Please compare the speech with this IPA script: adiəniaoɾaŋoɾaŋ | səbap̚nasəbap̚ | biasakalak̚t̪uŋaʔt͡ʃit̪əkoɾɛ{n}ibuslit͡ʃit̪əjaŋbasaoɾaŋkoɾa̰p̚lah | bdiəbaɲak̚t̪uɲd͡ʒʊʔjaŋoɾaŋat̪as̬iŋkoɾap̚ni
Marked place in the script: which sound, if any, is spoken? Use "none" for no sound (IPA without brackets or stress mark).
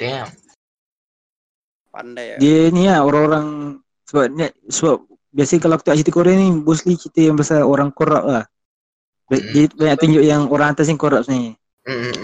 n